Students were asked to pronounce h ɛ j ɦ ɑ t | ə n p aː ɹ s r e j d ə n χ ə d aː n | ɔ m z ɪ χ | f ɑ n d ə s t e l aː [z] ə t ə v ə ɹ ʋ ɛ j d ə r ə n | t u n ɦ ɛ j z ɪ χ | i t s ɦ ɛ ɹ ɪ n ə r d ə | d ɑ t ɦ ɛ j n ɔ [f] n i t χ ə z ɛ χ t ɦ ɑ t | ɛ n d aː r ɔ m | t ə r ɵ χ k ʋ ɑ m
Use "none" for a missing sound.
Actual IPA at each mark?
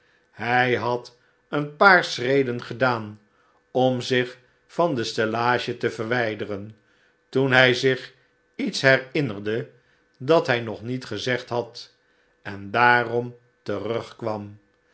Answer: ʒ, χ

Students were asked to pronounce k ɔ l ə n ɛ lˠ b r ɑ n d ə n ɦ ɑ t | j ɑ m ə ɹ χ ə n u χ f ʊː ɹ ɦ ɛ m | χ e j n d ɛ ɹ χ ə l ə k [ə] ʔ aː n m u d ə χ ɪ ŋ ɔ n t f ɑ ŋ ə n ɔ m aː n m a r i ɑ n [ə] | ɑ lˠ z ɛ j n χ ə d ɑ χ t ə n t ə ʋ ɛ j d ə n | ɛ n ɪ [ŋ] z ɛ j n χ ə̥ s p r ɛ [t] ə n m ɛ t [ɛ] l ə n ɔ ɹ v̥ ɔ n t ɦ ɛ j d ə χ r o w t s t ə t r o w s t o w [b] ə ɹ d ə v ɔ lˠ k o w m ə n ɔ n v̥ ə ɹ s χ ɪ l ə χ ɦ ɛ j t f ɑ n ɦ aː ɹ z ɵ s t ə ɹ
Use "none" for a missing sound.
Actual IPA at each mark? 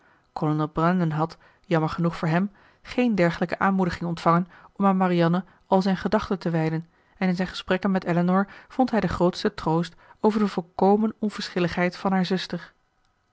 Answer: ə, ə, n, k, ɛ, v

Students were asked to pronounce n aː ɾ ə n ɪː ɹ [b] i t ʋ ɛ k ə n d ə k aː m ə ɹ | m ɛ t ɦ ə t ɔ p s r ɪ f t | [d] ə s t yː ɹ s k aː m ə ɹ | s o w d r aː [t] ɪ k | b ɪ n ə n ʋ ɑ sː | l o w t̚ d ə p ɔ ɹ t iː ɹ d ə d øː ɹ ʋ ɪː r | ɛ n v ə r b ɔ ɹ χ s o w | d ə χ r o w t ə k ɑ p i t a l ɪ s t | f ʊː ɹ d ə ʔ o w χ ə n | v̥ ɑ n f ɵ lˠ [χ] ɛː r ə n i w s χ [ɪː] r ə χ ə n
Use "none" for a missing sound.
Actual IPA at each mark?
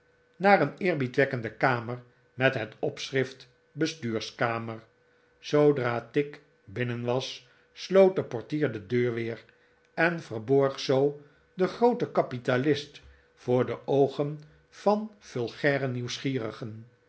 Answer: b, b, t, χ, iː

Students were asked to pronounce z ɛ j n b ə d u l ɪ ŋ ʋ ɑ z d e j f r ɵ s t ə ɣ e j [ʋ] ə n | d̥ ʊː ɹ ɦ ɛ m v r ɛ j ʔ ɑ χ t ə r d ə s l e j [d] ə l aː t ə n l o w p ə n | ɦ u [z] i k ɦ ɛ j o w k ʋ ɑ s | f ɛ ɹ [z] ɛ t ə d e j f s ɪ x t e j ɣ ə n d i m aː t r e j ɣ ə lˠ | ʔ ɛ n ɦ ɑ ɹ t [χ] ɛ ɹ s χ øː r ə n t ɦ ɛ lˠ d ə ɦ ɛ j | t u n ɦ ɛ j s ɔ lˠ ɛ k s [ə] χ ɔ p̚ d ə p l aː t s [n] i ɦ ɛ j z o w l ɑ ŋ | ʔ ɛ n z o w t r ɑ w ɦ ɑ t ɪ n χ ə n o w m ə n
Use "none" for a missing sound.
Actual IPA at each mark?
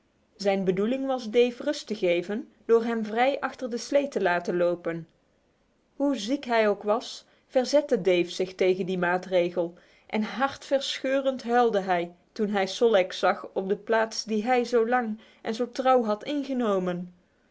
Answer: v, t, z, z, f, ɑ, d

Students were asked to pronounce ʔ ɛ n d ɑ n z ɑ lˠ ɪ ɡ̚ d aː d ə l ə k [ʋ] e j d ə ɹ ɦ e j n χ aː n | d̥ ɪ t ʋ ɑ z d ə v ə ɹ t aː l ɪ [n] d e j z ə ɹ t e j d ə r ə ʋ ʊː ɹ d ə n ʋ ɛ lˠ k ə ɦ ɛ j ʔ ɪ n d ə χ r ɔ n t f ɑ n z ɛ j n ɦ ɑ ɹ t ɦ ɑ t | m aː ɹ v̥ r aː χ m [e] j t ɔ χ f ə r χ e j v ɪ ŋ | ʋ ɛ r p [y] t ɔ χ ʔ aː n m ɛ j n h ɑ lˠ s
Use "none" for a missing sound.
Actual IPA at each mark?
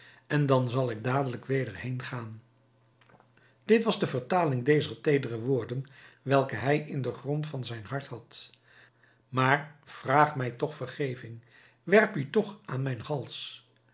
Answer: ʋ, ŋ, ɛ, y

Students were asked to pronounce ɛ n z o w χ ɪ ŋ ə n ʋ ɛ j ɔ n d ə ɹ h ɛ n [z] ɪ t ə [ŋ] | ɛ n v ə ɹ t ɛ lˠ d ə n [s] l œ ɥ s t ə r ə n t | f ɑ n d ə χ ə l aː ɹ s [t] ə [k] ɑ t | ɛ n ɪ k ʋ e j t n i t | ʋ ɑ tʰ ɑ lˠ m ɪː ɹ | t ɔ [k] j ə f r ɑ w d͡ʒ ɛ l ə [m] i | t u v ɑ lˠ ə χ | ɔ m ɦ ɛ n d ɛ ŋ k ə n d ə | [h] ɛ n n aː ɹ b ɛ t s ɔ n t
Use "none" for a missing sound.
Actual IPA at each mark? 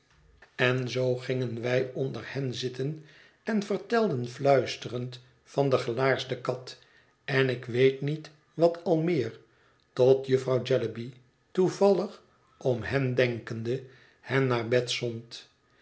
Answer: z, n, f, d, k, t, b, h

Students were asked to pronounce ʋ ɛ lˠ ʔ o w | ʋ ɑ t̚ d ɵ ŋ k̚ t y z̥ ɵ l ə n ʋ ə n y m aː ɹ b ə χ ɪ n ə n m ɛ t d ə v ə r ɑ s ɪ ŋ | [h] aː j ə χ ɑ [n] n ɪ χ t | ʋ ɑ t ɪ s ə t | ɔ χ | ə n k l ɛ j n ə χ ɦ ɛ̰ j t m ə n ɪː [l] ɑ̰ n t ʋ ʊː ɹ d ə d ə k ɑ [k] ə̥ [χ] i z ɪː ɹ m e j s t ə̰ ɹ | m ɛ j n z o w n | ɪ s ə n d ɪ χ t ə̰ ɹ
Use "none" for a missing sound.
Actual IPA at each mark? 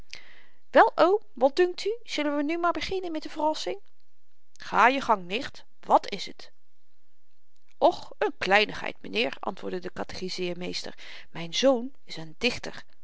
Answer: χ, ŋ, ɹ, t, χ

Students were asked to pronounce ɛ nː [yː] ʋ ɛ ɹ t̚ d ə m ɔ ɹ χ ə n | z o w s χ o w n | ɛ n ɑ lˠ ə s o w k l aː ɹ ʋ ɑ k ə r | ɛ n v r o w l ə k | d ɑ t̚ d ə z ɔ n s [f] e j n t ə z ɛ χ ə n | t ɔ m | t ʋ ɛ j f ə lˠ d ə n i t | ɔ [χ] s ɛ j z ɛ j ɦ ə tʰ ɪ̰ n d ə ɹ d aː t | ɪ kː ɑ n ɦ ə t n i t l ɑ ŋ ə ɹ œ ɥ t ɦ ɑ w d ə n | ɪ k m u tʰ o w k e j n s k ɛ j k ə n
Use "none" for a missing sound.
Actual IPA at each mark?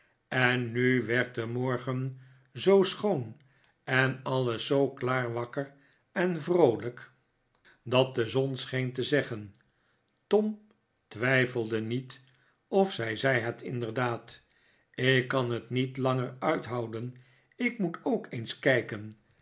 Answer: y, χ, f

